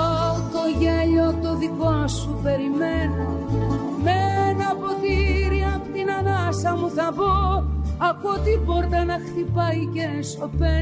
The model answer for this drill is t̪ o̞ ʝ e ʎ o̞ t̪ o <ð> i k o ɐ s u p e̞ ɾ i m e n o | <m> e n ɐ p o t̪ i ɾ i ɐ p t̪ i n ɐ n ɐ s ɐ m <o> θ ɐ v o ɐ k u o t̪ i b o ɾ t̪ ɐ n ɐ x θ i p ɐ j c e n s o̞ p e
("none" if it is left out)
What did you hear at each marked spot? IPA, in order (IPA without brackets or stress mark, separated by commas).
ð, m, u